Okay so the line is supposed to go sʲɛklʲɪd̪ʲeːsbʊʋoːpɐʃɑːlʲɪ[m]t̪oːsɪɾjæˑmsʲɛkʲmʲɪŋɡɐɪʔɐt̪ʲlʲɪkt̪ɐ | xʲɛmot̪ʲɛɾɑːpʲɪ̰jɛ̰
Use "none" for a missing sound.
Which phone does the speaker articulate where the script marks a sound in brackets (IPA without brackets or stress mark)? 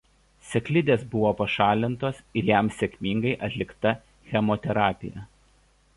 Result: n